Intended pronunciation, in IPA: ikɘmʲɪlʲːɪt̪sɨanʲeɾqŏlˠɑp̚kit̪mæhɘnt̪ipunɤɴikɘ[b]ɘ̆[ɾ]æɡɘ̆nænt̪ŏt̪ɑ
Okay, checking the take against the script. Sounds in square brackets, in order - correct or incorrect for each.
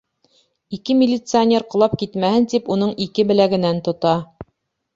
correct, incorrect: l

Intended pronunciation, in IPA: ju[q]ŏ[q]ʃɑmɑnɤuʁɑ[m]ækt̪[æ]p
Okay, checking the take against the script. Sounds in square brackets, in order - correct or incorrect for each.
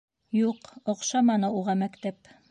correct, correct, correct, correct

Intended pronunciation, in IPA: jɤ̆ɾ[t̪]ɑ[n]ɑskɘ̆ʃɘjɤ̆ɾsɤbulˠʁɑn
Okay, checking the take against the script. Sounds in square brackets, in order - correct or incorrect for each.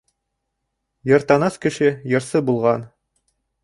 correct, correct

